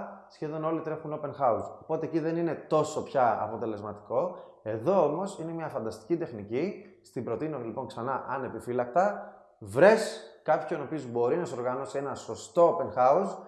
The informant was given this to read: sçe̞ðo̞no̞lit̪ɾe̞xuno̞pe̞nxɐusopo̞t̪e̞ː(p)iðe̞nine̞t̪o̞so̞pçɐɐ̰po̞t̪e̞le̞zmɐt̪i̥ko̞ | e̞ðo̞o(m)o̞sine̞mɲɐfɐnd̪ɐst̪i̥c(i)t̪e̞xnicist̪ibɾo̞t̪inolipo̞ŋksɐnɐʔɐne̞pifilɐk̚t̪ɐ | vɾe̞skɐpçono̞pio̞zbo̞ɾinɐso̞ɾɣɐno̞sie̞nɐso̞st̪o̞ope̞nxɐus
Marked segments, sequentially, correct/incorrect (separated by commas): incorrect, correct, correct